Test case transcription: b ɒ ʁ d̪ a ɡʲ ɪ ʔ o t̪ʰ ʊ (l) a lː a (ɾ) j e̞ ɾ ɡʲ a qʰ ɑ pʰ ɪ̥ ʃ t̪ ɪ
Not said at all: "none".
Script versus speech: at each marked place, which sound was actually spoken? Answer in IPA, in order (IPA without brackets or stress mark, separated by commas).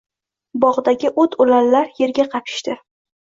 l, ɾ